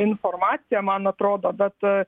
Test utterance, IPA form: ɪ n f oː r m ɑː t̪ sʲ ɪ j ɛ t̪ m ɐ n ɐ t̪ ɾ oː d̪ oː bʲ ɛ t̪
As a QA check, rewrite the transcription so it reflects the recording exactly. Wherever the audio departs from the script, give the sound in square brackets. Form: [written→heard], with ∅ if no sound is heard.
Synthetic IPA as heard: ɪ n f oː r m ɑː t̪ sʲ ɪ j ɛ [t̪→∅] m ɐ n ɐ t̪ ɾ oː d̪ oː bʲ ɛ t̪